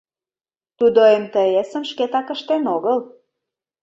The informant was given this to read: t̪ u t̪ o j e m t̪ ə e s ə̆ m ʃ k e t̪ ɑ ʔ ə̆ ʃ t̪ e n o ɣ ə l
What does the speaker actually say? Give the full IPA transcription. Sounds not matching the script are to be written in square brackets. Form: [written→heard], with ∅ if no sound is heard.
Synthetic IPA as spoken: t̪ u [t̪→d̪] o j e m t̪ ə e s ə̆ m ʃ k e t̪ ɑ [ʔ→k] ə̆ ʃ t̪ e n o ɣ ə l